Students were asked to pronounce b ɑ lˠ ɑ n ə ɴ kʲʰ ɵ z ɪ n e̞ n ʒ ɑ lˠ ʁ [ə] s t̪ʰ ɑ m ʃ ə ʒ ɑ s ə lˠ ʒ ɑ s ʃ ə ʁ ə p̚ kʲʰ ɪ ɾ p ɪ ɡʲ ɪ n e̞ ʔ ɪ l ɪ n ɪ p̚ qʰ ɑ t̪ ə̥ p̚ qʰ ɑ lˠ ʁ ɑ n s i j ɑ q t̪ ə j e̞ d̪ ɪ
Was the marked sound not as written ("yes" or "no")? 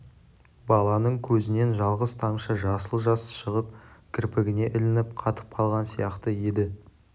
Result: no